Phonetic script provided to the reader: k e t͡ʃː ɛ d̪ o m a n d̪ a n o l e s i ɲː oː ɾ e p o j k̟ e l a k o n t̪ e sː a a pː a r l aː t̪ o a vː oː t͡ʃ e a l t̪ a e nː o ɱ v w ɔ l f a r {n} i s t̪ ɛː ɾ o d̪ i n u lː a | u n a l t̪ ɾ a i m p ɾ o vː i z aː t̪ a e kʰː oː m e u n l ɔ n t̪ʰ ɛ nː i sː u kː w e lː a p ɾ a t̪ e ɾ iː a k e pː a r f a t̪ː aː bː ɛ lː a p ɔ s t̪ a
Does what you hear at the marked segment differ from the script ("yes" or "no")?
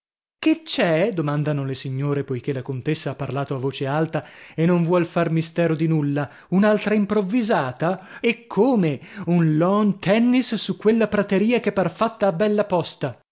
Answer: yes